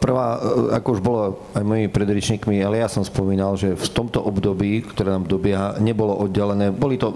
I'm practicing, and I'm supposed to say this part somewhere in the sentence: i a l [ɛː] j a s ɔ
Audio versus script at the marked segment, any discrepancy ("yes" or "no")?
yes